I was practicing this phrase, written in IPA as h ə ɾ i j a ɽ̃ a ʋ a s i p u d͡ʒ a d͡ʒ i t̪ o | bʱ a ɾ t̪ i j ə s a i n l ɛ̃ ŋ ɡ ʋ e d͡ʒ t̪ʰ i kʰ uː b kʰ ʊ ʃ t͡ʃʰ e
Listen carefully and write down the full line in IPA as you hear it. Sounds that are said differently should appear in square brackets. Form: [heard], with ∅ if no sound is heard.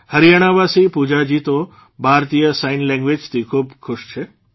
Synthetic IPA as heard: h ə ɾ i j a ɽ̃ a ʋ a s i p u d͡ʒ a d͡ʒ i t̪ o | bʱ a ɾ t̪ i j ə s a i n l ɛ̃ ŋ ɡ ʋ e d͡ʒ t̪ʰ i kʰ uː b kʰ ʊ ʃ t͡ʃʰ e